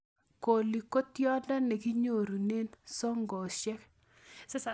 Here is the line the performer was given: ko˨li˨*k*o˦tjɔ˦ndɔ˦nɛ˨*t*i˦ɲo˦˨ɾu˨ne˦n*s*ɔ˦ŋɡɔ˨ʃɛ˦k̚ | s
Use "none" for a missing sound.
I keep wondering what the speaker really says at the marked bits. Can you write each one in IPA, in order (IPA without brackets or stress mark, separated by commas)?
k, k, s